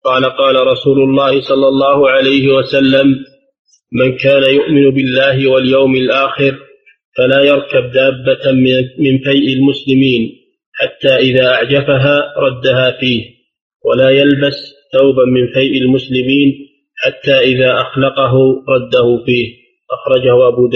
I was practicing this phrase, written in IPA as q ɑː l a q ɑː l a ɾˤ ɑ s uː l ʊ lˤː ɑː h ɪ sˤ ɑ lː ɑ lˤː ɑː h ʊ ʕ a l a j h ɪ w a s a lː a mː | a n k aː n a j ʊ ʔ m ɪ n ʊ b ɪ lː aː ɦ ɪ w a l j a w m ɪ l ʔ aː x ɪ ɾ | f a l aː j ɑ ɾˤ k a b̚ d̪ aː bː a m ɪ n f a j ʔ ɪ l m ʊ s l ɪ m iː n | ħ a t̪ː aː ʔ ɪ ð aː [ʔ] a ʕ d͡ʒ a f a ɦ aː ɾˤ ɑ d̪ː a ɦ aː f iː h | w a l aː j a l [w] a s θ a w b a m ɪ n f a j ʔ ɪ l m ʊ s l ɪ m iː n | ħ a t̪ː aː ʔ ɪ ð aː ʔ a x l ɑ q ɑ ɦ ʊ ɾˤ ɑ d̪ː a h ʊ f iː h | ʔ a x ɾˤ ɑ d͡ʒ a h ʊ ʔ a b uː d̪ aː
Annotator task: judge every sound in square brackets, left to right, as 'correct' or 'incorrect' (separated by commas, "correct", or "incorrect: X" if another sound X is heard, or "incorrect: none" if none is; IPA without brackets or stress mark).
correct, incorrect: b